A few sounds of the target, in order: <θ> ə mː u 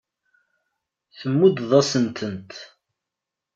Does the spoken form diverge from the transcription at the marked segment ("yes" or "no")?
no